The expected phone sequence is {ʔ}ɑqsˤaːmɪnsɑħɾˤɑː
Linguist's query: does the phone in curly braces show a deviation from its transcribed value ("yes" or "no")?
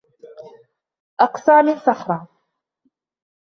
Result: no